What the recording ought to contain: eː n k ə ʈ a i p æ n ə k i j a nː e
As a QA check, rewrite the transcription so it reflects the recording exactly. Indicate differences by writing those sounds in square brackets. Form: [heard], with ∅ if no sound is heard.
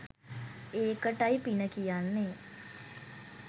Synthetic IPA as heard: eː [∅] k ə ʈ a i p [i] n ə k i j a nː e